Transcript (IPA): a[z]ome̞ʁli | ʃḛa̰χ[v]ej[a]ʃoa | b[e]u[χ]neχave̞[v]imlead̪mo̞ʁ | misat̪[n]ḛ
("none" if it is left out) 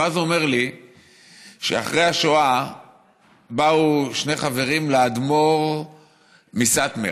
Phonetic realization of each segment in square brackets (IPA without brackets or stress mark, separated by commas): z, ʁ, a, a, ʃ, ʁ, m